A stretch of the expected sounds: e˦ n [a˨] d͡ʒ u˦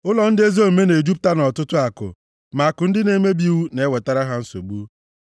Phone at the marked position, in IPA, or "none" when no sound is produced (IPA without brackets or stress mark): e˨